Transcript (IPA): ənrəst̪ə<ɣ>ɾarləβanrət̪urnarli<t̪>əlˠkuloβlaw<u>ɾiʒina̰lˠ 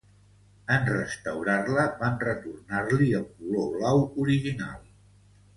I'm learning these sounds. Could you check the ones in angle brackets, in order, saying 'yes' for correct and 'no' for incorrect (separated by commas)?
no, no, yes